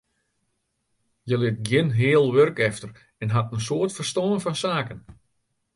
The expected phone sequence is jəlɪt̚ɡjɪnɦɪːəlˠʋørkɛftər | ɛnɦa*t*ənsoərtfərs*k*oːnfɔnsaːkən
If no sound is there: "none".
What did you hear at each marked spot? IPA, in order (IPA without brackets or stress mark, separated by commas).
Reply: t, t